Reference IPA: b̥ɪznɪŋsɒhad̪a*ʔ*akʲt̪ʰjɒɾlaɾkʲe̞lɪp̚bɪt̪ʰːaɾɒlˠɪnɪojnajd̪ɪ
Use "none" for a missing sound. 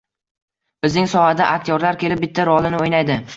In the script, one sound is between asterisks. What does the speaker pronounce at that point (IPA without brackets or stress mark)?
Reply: ʔ